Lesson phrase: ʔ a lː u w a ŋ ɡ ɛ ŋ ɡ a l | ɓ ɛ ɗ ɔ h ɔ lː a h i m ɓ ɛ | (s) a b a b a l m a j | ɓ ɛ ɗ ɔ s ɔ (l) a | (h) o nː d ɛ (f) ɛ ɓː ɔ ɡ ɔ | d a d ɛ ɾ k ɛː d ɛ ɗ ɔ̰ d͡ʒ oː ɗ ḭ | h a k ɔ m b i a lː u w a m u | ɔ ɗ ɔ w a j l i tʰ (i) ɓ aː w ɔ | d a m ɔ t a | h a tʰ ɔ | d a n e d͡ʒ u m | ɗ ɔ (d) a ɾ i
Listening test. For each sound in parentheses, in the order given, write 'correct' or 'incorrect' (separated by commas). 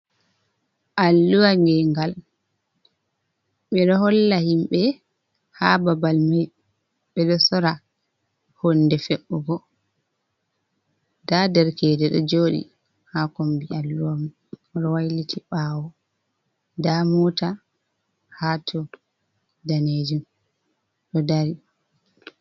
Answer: incorrect, incorrect, correct, correct, correct, correct